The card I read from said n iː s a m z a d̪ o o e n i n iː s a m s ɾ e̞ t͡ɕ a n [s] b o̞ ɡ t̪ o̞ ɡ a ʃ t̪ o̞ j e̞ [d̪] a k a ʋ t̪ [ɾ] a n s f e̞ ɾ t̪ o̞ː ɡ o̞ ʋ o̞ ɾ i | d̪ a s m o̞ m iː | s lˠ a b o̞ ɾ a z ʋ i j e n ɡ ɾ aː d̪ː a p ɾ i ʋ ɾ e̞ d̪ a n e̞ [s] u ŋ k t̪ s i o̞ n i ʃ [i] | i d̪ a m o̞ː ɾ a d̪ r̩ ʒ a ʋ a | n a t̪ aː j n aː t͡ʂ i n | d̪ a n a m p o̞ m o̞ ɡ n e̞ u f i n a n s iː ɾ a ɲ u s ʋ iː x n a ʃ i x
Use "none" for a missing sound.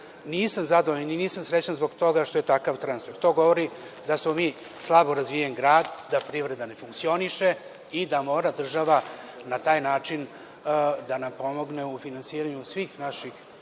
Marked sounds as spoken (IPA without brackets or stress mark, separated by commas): z, t̪, ɾ, f, e